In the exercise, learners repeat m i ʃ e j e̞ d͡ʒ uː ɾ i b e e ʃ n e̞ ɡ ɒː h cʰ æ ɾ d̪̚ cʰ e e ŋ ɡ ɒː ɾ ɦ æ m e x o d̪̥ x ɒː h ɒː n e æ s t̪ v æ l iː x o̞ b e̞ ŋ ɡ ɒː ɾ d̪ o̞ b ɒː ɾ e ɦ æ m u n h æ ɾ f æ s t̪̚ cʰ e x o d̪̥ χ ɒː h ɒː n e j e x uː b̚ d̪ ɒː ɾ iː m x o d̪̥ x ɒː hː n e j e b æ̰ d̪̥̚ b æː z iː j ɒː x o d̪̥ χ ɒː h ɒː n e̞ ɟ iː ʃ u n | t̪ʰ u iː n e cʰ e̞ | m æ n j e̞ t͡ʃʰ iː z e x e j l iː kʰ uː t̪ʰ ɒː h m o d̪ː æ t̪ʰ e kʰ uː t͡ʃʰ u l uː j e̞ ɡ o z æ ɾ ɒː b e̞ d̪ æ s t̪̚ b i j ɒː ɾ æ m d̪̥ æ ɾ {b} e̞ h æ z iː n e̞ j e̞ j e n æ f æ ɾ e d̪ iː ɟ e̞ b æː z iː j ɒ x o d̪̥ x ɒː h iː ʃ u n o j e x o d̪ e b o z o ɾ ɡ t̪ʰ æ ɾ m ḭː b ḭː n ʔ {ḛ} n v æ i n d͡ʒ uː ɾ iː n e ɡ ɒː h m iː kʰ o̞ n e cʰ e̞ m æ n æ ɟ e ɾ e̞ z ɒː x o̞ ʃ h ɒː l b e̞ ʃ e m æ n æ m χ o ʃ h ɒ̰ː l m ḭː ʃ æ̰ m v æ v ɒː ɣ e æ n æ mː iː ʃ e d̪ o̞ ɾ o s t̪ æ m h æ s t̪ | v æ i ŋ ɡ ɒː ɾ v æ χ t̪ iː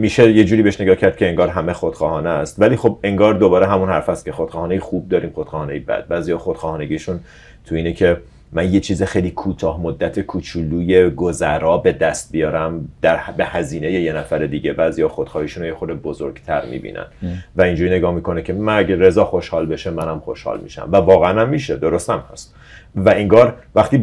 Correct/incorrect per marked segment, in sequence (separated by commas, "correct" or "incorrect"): correct, incorrect